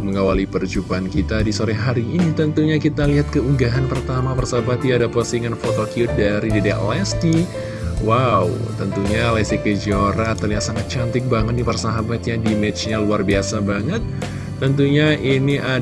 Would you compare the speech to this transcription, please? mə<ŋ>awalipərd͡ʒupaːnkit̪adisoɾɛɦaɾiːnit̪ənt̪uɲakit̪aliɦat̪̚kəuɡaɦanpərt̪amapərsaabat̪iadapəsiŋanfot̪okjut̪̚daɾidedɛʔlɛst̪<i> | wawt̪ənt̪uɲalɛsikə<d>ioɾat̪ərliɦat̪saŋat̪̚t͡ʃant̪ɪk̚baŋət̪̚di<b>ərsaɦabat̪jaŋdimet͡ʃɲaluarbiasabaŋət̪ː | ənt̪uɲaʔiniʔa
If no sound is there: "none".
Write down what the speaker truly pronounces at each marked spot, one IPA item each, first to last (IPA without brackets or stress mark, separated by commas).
ŋ, i, d͡ʒ, p